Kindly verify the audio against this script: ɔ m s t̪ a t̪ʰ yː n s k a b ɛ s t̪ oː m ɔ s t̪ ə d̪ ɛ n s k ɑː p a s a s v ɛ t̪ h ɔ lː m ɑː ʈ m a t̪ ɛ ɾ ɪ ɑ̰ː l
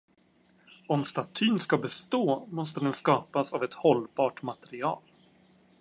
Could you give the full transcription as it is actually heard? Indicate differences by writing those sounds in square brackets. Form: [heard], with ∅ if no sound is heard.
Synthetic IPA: ɔ m s t̪ a t̪ʰ yː n s k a b ɛ s t̪ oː m ɔ s t̪ ə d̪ ɛ n s k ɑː p a s a [∅] v ɛ t̪ h ɔ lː [b] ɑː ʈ m a t̪ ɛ ɾ ɪ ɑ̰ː l